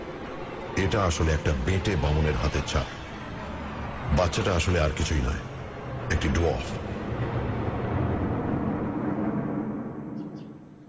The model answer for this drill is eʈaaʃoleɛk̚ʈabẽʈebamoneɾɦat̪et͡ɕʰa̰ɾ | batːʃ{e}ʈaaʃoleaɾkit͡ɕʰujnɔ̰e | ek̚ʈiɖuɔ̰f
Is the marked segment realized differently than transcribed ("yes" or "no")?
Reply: yes